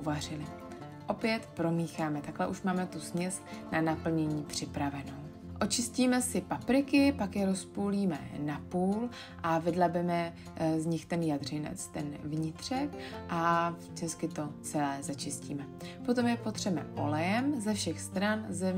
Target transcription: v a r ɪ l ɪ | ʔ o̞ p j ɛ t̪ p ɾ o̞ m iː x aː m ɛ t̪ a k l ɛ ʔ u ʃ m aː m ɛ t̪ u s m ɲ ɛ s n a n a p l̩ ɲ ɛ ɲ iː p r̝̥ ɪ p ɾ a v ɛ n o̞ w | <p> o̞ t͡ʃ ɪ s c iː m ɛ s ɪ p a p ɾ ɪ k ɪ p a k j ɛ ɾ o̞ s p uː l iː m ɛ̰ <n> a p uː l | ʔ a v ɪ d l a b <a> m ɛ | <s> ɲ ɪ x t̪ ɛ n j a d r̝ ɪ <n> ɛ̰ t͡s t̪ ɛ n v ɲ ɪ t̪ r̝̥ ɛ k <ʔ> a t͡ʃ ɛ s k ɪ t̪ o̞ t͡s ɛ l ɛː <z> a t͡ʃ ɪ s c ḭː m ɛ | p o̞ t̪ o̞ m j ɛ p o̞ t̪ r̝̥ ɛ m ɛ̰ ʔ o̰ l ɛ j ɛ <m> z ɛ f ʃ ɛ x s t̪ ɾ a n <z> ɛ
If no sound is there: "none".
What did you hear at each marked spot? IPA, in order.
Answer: ʔ, n, ɛ, z, n, ʔ, z, m, z

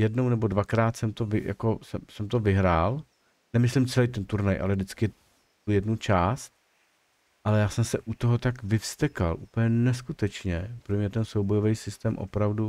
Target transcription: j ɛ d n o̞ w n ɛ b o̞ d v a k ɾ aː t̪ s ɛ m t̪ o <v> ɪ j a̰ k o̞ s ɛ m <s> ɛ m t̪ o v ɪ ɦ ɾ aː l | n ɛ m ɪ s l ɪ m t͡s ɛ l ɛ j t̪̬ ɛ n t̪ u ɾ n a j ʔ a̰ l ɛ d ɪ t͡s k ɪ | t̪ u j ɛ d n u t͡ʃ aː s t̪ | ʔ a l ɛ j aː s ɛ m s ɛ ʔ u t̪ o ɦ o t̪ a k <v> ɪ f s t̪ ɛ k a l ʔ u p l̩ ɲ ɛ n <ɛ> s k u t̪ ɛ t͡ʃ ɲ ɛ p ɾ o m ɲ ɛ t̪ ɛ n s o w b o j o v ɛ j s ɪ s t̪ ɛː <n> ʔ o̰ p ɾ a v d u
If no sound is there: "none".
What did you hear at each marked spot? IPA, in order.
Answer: v, s, v, ɛ, m

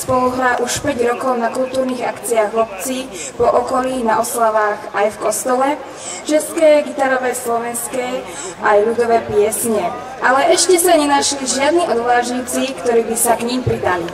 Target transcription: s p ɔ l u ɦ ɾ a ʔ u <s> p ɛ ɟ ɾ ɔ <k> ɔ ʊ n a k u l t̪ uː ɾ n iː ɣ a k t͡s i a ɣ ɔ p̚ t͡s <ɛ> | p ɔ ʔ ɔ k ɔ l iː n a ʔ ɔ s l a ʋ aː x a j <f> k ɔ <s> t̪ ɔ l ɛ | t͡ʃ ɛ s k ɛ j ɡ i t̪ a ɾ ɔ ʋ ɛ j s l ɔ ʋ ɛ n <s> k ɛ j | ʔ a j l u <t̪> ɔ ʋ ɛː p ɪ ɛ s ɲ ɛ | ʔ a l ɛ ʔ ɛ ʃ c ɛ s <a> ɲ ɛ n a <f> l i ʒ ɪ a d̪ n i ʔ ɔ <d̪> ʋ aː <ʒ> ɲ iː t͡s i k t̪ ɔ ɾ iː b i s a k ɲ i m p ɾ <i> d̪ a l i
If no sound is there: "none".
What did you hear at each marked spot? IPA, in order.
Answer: ʃ, k, i, f, s, s, d̪, a, ʃ, d̪, ʒ, i

